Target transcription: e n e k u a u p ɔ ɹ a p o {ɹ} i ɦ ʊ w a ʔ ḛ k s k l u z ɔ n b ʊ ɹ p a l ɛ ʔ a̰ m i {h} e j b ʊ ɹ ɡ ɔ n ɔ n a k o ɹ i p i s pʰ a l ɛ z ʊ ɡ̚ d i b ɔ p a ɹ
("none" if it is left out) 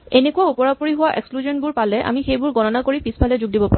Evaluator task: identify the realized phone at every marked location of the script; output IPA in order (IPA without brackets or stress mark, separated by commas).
ɹ, x